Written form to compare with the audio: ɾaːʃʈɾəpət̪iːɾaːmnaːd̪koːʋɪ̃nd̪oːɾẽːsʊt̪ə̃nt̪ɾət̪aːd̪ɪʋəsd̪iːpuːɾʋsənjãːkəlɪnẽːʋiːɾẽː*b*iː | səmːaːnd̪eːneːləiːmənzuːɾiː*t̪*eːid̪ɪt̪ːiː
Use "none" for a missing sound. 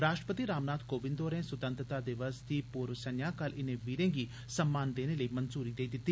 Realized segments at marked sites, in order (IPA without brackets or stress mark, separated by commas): ɡ, d̪